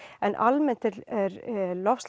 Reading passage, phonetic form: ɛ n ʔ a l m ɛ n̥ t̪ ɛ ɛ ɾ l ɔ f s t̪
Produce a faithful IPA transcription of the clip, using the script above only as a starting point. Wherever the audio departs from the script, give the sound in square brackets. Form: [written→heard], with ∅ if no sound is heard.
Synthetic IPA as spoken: ɛ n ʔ a l m ɛ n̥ t̪ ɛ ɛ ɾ l ɔ f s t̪